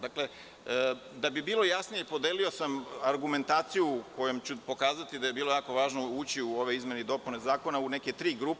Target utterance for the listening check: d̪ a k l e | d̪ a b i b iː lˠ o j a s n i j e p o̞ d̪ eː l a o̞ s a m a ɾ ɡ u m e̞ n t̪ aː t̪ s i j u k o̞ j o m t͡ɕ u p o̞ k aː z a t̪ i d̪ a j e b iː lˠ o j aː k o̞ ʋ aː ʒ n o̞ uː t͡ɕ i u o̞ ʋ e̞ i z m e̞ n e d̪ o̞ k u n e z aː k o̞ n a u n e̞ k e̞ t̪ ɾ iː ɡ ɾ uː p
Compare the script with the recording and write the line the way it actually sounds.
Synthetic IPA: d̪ a k l e | d̪ a b i b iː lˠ o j a s n i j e p o̞ d̪ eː l i o̞ s a m a ɾ ɡ u m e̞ n t̪ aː t̪ s i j u k o̞ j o m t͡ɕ u p o̞ k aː z a t̪ i d̪ a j e b iː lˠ o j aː k o̞ ʋ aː ʒ n o̞ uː t͡ɕ i u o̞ ʋ e̞ i z m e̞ n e d̪ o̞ p u n e z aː k o̞ n a u n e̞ k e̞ t̪ ɾ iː ɡ ɾ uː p